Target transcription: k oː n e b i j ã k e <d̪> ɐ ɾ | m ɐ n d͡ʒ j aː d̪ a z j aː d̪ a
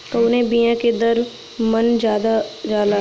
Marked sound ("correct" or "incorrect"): correct